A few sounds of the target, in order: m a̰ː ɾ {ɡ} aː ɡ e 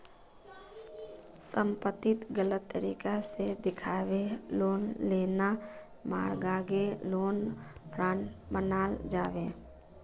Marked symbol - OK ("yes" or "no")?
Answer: yes